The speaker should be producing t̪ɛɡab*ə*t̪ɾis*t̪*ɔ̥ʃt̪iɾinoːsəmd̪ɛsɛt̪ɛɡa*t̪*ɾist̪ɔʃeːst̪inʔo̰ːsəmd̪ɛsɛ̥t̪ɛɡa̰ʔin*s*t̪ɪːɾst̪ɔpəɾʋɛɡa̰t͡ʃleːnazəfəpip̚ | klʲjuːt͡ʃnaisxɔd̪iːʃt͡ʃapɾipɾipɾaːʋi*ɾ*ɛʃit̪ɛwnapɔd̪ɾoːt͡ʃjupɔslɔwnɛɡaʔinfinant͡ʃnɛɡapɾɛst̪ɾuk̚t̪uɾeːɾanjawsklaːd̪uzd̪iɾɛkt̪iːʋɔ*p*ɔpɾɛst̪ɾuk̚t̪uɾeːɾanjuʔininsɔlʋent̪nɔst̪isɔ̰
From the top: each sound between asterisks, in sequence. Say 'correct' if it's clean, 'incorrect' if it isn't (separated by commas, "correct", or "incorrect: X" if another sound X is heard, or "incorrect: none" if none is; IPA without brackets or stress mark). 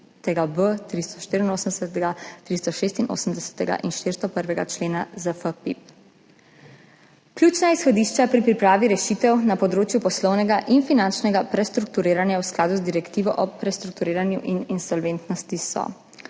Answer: correct, correct, correct, incorrect: ʃ, correct, incorrect: ʔ